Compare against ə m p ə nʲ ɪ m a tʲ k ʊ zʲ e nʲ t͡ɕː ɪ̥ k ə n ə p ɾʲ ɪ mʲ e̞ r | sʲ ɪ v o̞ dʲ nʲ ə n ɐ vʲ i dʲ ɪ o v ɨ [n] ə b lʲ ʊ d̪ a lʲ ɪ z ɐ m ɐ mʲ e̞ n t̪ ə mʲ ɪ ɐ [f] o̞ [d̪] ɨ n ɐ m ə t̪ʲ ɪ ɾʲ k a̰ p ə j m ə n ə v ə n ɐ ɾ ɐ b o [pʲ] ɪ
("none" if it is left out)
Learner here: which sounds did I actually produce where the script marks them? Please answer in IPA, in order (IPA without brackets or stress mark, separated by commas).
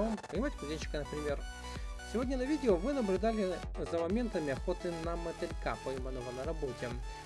n, x, t̪, tʲ